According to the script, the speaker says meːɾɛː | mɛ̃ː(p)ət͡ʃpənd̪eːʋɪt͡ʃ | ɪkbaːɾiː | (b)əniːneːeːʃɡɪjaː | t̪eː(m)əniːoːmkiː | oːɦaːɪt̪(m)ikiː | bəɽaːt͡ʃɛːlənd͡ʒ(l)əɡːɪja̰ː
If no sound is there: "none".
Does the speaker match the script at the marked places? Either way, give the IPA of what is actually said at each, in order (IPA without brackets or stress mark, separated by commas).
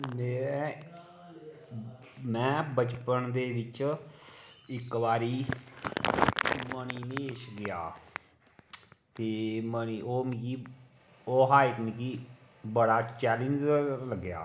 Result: b, m, m, m, l